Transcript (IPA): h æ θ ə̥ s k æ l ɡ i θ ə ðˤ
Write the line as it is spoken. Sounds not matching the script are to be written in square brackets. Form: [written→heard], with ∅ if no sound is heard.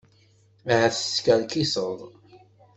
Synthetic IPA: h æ θ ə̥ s k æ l [ɡ→k] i [θ→s] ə ðˤ